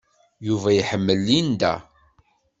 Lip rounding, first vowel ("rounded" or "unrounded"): rounded